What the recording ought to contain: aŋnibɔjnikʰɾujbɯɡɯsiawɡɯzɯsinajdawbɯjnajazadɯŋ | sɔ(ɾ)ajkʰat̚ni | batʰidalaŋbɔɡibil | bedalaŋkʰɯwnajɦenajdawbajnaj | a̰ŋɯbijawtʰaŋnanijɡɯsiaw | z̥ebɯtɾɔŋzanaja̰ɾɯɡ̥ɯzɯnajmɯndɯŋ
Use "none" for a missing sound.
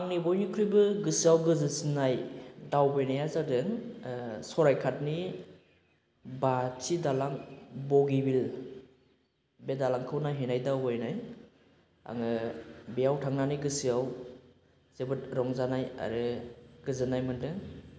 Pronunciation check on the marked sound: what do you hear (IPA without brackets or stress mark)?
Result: ɾ